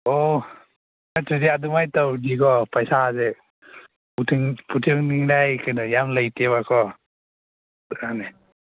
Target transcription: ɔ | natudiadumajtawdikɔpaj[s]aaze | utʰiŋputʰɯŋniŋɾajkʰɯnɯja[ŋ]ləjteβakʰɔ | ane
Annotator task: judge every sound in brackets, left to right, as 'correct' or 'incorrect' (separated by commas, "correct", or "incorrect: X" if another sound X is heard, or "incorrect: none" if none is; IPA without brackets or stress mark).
correct, incorrect: m